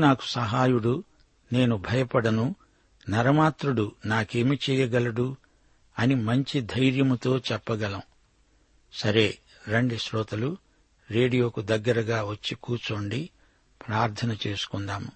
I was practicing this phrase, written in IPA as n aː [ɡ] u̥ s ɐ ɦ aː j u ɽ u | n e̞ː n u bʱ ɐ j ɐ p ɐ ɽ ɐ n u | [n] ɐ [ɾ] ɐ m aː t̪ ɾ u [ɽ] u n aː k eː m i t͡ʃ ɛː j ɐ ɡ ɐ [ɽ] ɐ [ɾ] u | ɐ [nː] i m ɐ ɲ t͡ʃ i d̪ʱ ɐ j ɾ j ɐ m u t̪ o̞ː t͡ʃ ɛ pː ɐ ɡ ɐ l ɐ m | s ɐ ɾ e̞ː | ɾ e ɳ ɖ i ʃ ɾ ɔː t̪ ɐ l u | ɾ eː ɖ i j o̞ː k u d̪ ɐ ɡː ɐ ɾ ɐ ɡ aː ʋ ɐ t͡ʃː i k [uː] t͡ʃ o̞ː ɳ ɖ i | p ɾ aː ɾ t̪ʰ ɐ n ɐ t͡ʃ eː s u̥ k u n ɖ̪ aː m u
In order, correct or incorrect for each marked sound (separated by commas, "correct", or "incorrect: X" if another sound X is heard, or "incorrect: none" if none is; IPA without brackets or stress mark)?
incorrect: k, correct, correct, correct, incorrect: l, incorrect: ɽ, incorrect: n, correct